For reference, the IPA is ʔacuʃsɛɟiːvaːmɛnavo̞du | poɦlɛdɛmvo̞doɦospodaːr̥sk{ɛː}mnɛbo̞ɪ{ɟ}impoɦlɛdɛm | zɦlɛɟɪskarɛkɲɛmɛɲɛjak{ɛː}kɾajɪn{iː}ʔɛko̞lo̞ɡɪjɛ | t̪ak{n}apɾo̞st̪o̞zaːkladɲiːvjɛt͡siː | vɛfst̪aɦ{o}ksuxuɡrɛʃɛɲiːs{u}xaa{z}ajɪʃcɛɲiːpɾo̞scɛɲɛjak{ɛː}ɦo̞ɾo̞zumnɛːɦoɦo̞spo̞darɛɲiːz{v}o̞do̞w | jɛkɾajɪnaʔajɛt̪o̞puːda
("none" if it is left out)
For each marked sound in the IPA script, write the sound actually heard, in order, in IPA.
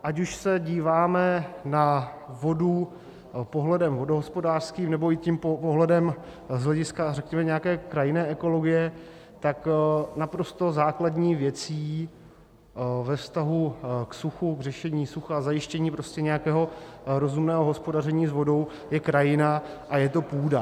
iː, c, ɛː, ɛː, n, u, u, z, ɛː, v

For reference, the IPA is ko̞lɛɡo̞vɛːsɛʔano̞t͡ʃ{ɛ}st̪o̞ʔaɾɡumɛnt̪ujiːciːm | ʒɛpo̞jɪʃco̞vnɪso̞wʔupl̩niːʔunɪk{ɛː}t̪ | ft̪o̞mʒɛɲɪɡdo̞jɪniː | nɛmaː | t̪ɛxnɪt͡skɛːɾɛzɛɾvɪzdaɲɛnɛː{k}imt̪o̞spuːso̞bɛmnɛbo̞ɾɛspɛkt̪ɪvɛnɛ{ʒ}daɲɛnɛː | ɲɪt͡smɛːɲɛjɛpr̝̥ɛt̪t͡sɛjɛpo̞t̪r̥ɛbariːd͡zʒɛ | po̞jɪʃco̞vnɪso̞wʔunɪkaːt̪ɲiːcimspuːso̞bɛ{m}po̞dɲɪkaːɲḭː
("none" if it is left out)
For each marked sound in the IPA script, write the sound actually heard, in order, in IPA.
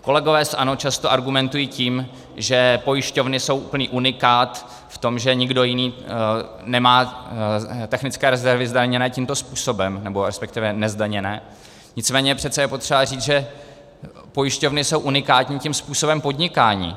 a, aː, c, z, m

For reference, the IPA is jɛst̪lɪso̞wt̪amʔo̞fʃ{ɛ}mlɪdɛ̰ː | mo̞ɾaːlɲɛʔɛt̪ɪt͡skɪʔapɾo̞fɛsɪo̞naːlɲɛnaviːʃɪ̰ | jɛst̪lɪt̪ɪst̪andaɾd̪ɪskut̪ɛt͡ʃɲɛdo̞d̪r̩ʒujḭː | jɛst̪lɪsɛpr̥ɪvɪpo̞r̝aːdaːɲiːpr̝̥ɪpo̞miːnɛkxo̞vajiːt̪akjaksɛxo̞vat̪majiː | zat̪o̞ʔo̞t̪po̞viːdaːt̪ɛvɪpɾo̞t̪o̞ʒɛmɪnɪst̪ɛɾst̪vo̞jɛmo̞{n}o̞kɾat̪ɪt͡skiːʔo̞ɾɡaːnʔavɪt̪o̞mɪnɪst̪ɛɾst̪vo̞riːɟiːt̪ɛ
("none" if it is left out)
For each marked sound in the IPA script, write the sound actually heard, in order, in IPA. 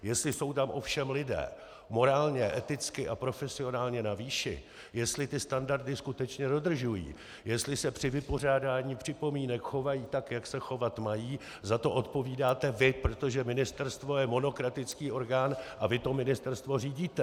ɛ, n

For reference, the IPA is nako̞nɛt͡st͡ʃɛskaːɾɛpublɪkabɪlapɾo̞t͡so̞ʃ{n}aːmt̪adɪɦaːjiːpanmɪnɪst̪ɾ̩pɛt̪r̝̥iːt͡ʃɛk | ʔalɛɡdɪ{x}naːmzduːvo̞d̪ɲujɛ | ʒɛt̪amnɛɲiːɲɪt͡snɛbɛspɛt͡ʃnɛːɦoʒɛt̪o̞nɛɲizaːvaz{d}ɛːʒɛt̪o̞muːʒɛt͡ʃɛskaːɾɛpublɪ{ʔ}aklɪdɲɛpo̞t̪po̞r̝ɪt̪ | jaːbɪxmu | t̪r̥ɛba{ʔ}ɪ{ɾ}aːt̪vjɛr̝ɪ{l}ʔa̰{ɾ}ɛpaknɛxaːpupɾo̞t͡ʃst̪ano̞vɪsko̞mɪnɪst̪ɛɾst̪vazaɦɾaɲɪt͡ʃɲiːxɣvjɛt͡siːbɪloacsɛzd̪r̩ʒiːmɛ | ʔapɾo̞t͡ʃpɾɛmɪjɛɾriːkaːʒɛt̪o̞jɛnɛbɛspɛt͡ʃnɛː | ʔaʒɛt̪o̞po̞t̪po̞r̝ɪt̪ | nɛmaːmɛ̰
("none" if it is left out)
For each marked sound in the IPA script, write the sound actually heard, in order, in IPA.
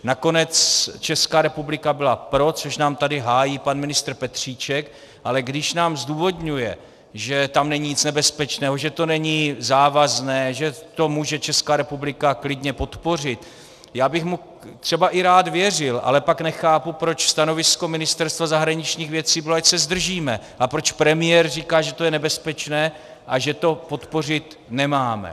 n, ʃ, n, k, ʔ, ɾ, l, l

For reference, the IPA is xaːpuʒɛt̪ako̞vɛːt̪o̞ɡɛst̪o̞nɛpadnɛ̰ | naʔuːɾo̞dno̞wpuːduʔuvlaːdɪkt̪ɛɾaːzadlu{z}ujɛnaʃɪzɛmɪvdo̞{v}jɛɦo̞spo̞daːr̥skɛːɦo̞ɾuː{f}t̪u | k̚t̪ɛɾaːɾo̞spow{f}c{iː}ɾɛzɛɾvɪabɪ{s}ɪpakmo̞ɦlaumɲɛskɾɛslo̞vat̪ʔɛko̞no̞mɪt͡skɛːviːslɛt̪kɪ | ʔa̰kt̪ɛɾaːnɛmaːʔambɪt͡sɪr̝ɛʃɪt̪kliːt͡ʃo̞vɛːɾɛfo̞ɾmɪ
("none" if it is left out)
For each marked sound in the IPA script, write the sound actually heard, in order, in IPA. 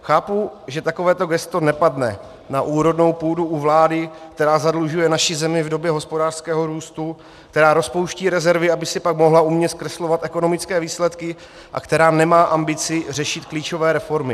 ʒ, b, s, ʃ, iː, s

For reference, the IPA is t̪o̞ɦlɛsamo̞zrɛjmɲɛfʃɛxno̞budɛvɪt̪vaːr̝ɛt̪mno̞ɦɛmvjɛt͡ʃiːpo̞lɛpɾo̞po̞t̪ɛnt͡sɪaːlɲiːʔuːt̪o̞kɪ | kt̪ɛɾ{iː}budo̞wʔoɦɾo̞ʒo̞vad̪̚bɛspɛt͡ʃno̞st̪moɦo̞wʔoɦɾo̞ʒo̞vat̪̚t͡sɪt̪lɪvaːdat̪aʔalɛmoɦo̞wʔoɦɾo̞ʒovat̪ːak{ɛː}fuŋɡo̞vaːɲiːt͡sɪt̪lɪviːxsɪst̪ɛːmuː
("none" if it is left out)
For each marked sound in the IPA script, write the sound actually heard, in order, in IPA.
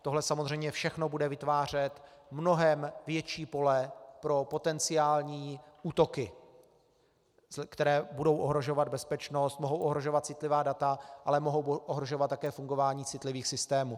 ɛː, ɛː

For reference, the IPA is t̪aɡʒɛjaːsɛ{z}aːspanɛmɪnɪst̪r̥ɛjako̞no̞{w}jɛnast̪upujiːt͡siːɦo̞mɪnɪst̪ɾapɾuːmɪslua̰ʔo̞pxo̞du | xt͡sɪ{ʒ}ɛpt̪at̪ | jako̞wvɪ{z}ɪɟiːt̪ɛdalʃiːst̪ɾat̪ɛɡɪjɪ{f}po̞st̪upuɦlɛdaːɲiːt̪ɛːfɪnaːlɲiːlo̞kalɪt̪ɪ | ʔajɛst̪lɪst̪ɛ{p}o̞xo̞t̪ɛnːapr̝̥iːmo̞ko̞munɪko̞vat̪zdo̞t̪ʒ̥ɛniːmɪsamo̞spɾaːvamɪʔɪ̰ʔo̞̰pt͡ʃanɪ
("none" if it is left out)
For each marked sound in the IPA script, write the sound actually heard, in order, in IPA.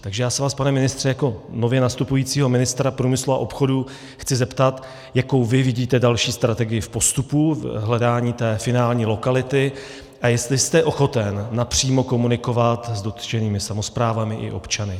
v, v, z, v, f, ʔ

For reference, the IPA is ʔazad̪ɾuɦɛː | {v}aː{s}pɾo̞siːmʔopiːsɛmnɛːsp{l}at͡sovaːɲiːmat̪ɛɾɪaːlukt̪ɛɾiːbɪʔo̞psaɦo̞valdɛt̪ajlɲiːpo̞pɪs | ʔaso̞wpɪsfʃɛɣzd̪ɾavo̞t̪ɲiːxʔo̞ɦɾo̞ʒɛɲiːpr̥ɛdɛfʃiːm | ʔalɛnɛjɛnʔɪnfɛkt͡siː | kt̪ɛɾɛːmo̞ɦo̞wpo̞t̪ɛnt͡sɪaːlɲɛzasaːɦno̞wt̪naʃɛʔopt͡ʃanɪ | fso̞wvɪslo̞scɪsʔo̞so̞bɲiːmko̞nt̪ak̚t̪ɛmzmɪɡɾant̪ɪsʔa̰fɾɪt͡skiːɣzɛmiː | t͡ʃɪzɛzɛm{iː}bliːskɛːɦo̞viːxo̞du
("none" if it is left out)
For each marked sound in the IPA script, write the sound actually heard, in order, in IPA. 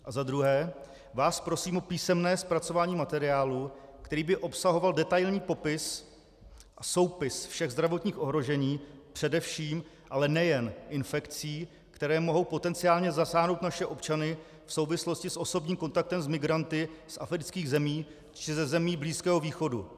v, s, ɾ, iː

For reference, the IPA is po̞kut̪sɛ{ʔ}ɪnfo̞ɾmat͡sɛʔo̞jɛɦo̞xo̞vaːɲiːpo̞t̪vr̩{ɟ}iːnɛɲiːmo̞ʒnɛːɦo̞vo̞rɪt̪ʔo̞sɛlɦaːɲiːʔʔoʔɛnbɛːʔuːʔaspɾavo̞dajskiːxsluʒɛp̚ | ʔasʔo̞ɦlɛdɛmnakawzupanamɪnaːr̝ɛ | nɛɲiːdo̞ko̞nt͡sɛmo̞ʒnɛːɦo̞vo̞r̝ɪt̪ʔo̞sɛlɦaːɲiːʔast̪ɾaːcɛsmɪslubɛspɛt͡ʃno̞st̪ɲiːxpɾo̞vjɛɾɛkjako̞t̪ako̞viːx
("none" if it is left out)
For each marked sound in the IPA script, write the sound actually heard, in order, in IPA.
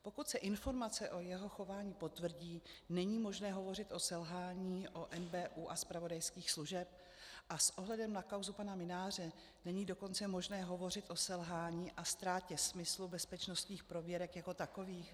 ʔ, ɟ

